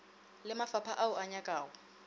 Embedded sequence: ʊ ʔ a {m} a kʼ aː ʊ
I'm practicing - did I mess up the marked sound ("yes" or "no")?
yes